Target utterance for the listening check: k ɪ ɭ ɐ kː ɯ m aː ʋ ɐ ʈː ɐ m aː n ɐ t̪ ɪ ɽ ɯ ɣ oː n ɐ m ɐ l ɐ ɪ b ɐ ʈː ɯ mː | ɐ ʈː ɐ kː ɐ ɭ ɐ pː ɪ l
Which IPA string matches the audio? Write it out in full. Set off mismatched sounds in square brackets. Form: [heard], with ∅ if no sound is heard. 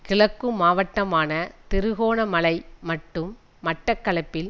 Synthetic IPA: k ɪ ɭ ɐ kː ɯ m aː ʋ ɐ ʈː ɐ m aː n ɐ t̪ ɪ [ɾ] ɯ ɣ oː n ɐ m ɐ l ɐ ɪ [m] ɐ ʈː ɯ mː | ɐ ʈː ɐ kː ɐ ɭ ɐ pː ɪ l